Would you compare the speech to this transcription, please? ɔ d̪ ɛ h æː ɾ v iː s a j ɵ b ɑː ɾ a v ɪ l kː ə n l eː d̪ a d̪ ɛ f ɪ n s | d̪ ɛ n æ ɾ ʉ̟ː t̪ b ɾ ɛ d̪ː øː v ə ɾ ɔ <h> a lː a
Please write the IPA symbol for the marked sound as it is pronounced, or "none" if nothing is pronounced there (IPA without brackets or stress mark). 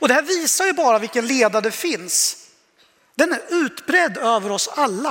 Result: s